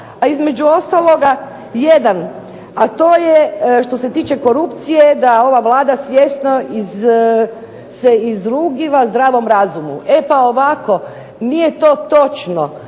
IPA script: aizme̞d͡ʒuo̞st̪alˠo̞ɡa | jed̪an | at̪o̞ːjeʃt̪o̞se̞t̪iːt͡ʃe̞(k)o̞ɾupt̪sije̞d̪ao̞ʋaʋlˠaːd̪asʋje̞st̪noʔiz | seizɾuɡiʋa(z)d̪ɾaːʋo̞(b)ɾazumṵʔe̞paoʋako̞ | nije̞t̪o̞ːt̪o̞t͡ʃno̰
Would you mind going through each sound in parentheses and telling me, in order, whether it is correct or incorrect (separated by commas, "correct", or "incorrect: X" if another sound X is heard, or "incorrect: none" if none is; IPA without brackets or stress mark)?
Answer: correct, correct, incorrect: m